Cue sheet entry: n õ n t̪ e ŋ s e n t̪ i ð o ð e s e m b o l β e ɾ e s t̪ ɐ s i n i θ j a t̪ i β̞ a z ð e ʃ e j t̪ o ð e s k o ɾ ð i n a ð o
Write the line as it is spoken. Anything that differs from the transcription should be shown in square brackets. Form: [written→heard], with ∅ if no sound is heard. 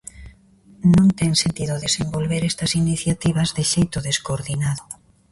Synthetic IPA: n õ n t̪ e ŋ s e n t̪ i ð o ð e s e m b o l β e ɾ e s t̪ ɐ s i n i θ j a t̪ i β̞ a z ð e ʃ e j t̪ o ð e s k o ɾ ð i n a ð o